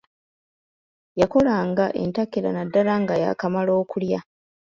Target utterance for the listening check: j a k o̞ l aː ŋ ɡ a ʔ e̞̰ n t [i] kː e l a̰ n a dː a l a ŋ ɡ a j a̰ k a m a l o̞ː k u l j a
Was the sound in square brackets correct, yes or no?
no